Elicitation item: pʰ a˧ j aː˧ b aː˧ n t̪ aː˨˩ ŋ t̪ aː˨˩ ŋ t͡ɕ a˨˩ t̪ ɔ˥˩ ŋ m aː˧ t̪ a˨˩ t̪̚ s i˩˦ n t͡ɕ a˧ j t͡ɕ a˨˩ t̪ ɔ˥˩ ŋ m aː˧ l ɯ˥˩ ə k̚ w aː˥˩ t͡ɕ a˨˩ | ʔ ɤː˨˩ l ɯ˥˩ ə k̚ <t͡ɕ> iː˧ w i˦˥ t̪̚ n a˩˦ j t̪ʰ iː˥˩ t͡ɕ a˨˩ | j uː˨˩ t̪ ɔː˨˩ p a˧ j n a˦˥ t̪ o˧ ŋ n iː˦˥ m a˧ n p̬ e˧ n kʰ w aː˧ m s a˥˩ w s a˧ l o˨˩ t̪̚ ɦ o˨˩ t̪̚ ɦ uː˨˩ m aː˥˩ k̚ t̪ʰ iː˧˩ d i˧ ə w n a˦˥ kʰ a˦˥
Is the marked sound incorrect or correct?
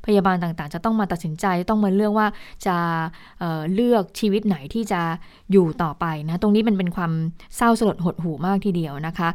incorrect